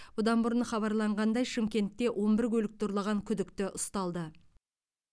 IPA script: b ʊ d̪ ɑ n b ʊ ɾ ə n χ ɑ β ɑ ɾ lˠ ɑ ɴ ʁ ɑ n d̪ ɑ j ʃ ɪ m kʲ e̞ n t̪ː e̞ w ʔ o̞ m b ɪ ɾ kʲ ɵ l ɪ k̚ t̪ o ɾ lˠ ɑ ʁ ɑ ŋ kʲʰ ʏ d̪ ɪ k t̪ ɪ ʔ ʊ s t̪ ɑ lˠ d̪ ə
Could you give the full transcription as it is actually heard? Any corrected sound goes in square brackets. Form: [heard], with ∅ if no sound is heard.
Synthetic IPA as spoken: b ʊ d̪ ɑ n b ʊ ɾ ə n χ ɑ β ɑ ɾ lˠ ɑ ɴ ʁ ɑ n d̪ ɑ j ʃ ɪ m kʲ e̞ n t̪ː e̞ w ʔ o̞ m b ɪ ɾ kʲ ɵ l ɪ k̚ t̪ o ɾ lˠ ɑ ʁ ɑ ŋ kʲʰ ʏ d̪ ɪ k t̪ ɪ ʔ ʊ s t̪ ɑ lˠ d̪ ə